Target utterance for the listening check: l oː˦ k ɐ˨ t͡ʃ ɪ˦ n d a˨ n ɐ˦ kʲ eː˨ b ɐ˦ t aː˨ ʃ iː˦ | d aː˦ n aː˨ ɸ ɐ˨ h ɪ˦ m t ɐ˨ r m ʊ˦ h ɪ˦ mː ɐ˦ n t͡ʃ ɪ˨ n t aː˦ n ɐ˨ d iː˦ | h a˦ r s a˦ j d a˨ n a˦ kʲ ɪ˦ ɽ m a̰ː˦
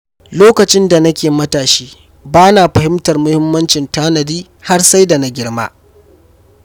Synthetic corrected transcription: l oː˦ k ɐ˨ t͡ʃ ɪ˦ n d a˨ n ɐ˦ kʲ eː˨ m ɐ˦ t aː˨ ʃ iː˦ | b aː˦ n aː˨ ɸ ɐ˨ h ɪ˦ m t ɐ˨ r m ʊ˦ h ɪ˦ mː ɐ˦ n t͡ʃ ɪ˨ n t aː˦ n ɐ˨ d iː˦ | h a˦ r s a˦ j d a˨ n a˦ ɡʲ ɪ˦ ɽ m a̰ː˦